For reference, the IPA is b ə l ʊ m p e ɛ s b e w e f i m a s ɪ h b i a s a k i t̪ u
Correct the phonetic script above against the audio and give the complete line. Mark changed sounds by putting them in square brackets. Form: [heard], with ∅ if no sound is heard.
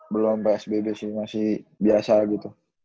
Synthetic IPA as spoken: b ə l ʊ m p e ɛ s b e [b] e [s] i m a s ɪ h b i a s a [ɡ] i t̪ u

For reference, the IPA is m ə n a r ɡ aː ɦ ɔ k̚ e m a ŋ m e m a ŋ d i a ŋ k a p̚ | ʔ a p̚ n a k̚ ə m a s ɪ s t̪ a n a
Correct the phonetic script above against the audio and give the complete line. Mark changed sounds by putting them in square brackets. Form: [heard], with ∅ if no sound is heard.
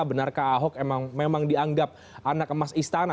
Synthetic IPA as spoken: [b] ə n a r [k] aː ɦ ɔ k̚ e m a ŋ m e m a ŋ d i a ŋ [ɡ] a p̚ | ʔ a [∅] n a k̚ ə m a s [i] s t̪ a n a

